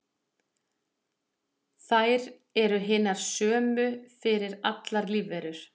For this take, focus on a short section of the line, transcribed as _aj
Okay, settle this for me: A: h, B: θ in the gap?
B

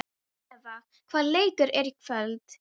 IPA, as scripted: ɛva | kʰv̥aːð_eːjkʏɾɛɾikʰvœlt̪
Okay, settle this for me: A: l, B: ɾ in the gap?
A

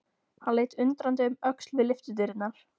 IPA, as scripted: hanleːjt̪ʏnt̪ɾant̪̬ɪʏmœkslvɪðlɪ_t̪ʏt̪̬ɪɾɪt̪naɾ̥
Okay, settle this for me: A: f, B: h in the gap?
A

